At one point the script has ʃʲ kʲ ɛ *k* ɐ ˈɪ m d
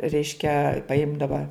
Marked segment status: incorrect: p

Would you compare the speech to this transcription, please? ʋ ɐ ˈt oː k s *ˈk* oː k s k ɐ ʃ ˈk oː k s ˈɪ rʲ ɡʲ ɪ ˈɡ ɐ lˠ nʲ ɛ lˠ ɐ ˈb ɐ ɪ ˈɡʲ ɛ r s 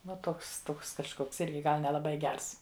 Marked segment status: incorrect: t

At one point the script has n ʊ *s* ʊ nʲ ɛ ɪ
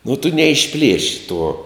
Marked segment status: incorrect: t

